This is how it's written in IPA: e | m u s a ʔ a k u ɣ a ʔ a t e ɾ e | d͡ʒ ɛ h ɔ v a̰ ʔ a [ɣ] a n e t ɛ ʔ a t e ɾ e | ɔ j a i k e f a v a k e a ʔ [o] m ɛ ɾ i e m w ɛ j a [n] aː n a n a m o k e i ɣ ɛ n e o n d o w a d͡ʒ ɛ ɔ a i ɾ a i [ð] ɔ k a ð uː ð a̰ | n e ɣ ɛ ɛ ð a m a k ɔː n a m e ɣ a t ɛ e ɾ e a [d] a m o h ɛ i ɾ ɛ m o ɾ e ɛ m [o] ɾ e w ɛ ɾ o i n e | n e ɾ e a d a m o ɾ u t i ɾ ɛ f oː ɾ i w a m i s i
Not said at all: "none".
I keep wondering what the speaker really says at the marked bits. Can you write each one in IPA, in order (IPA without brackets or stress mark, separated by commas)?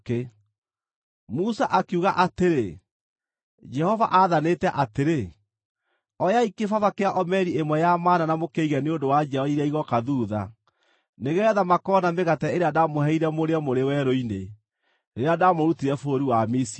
ð, ɔ, m, ɣ, d, o